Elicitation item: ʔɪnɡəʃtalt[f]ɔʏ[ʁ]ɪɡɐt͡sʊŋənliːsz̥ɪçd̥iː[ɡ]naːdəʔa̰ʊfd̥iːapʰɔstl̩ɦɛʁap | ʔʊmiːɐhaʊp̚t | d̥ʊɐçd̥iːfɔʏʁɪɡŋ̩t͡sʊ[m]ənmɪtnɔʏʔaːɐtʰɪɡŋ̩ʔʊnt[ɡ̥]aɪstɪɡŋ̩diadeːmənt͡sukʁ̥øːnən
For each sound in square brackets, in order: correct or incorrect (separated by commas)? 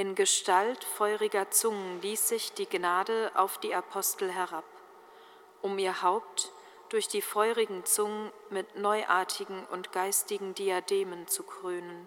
correct, correct, correct, incorrect, correct